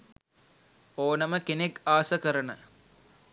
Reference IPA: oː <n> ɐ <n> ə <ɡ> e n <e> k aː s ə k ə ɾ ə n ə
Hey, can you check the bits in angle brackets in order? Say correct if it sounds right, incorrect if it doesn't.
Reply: correct, incorrect: m, incorrect: k, correct

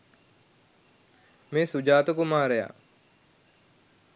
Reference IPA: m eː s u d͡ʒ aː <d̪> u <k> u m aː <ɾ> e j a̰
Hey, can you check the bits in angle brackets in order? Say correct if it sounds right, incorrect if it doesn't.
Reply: incorrect: t̪, correct, correct

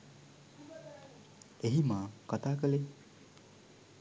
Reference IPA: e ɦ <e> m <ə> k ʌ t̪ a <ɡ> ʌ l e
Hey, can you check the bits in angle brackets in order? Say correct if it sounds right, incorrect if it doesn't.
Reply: incorrect: i, incorrect: a, incorrect: k

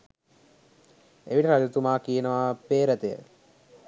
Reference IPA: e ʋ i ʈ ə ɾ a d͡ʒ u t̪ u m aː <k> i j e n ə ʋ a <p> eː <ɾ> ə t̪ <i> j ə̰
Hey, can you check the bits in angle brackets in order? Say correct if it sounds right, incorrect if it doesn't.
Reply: correct, correct, correct, incorrect: e

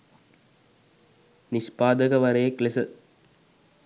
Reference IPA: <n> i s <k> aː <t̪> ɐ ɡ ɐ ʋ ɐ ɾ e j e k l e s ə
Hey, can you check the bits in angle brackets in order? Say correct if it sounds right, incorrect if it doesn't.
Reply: correct, incorrect: p, incorrect: d̪

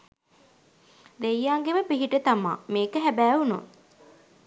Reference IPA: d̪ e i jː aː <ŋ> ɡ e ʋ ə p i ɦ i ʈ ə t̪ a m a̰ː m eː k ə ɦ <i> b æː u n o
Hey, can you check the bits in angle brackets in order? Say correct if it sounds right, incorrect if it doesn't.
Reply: correct, incorrect: æ

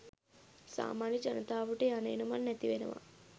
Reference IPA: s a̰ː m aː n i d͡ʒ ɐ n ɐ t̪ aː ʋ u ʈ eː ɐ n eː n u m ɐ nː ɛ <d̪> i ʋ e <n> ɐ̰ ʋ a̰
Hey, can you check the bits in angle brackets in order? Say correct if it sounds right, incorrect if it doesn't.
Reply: incorrect: t̪, correct

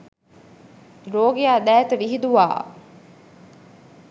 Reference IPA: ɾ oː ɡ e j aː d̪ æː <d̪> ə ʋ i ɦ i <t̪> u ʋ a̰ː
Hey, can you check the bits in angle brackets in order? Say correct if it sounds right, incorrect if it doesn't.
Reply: incorrect: t̪, incorrect: d̪

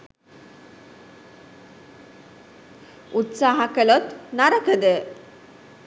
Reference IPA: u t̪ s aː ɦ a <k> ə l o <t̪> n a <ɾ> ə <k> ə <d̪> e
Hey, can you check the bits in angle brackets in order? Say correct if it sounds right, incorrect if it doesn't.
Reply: correct, correct, correct, correct, correct

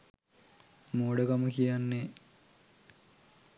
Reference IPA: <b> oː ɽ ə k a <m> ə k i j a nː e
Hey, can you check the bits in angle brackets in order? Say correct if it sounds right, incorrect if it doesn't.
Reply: incorrect: m, correct

